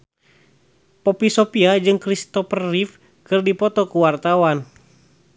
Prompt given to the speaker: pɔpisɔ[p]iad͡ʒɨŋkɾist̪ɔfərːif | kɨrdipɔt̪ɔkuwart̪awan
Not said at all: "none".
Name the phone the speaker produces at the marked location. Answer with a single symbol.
p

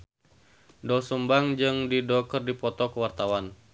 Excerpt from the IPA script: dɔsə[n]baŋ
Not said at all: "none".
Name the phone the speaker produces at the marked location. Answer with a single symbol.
m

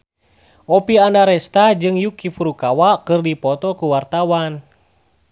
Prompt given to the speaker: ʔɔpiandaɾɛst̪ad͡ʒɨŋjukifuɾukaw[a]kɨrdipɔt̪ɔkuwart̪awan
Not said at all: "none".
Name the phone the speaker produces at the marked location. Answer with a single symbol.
a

